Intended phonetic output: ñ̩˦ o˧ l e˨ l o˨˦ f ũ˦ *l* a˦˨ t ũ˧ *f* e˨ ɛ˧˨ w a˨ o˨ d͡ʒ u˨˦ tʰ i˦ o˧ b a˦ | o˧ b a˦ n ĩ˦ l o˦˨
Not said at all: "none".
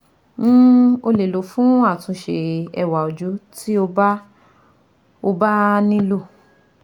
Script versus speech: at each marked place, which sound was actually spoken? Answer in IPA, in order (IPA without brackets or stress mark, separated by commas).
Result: none, ʃ